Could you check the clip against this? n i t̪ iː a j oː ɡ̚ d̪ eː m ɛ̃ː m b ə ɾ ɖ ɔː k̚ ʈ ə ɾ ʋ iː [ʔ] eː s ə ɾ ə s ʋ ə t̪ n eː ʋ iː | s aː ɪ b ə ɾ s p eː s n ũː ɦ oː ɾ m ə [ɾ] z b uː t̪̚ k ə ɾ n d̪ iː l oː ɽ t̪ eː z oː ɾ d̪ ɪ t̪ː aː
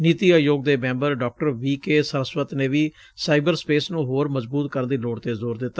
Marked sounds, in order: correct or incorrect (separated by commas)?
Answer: incorrect, incorrect